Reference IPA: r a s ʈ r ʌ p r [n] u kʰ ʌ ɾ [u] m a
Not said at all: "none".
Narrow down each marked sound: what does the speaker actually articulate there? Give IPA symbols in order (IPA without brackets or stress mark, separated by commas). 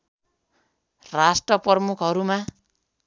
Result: m, u